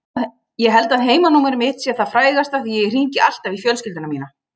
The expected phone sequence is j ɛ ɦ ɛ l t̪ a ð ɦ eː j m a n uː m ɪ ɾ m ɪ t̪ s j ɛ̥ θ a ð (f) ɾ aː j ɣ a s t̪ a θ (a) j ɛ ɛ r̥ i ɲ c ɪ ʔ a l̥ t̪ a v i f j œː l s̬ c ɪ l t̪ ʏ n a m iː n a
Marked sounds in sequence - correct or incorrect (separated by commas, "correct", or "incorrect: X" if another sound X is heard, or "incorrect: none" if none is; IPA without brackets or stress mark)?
correct, incorrect: i